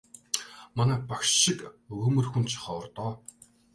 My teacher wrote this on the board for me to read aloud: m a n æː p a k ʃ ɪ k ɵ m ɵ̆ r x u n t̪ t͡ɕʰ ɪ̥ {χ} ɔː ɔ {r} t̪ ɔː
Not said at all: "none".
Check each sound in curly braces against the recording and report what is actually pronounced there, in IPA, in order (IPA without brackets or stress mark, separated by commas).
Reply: χ, r